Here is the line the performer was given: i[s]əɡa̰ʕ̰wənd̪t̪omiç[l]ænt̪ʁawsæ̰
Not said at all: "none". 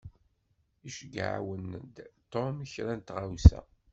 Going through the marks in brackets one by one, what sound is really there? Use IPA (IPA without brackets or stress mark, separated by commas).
ʃ, ɾ